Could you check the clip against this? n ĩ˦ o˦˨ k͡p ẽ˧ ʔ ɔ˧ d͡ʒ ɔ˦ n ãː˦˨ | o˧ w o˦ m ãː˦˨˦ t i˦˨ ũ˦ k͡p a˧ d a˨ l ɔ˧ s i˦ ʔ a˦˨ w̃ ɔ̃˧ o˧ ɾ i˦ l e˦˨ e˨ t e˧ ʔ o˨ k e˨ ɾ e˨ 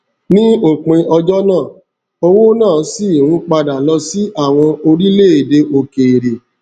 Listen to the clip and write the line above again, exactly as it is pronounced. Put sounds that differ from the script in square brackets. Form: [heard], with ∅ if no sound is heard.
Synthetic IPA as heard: n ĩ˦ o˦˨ k͡p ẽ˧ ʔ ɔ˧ d͡ʒ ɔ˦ n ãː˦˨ | o˧ w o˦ [n] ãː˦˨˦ [s] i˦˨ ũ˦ k͡p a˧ d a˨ l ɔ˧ s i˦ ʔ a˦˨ w̃ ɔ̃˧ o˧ ɾ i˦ l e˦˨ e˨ [d] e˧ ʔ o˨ k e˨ ɾ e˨